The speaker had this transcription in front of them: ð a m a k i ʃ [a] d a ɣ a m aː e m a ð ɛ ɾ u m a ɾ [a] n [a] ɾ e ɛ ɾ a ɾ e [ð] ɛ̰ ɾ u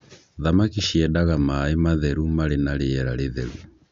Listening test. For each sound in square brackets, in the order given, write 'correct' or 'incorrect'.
incorrect: ɛ, incorrect: e, correct, correct

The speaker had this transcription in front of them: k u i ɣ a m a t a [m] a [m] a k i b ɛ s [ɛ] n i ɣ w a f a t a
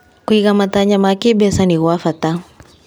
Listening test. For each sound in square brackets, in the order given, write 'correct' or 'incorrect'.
incorrect: ɲ, correct, incorrect: a

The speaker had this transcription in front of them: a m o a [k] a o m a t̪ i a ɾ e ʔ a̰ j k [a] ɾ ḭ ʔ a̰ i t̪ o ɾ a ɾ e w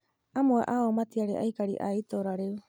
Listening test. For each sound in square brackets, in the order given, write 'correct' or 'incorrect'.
incorrect: ʔ, correct

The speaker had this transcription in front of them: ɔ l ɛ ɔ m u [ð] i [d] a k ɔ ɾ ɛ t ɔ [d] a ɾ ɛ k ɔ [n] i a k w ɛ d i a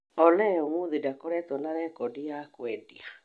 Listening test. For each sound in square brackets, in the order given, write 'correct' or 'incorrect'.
correct, correct, incorrect: n, incorrect: d

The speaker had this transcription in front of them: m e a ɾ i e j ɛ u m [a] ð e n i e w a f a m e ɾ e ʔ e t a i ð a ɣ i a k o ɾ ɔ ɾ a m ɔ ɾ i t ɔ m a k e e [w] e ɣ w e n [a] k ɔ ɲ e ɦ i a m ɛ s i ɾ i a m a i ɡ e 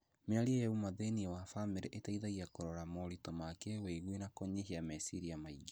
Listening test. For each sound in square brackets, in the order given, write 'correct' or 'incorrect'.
correct, correct, correct

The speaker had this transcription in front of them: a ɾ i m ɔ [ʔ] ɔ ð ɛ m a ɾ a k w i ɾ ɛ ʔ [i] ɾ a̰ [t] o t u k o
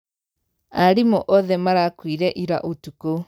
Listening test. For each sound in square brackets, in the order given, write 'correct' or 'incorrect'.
correct, correct, incorrect: ʔ

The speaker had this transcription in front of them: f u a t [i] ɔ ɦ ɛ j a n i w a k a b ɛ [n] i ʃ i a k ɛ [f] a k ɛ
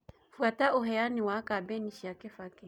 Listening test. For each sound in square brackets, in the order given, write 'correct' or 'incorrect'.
incorrect: a, correct, correct

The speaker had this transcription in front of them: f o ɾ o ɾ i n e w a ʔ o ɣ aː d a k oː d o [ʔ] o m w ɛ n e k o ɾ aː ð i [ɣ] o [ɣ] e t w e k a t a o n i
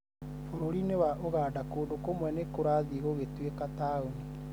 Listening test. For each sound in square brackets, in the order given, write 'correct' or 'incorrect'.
incorrect: k, correct, correct

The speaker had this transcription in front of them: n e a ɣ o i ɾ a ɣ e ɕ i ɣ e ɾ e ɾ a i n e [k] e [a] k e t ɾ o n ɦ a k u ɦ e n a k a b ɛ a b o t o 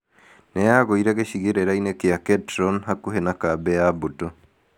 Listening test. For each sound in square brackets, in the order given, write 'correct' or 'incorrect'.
correct, correct

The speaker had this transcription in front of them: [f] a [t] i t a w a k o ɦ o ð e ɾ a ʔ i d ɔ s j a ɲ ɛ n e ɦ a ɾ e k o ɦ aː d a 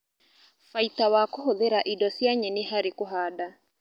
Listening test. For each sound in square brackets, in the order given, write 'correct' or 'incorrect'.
correct, incorrect: none

